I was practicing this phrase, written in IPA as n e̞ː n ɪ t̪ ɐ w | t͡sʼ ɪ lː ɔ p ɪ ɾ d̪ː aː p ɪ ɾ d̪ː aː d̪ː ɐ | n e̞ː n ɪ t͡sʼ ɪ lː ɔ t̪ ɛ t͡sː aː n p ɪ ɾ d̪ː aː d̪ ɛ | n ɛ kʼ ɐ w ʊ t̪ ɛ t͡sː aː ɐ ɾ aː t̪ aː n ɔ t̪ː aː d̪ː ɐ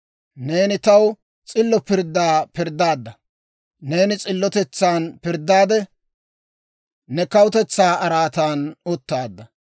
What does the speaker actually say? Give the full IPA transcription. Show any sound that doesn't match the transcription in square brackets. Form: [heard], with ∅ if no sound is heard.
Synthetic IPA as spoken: n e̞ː n ɪ t̪ ɐ w | t͡sʼ ɪ lː ɔ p ɪ ɾ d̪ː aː p ɪ ɾ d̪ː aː d̪ː ɐ | n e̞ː n ɪ t͡sʼ ɪ lː ɔ t̪ ɛ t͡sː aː n p ɪ ɾ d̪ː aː d̪ ɛ | n ɛ [k] ɐ w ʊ t̪ ɛ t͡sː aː ɐ ɾ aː t̪ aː n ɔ t̪ː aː d̪ː ɐ